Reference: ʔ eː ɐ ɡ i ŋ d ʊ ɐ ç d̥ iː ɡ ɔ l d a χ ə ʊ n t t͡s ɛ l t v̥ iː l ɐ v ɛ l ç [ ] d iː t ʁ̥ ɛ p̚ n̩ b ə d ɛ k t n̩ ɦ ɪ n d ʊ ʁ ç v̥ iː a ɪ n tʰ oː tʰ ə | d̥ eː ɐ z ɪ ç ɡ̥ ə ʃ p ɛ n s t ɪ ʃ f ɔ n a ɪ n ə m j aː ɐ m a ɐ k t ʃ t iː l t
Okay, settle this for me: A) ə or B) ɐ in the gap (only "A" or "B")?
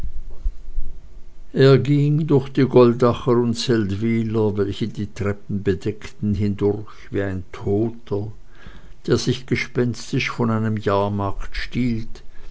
A